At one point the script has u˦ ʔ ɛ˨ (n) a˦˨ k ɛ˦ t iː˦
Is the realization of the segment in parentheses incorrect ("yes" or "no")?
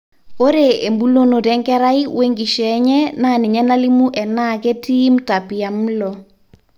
no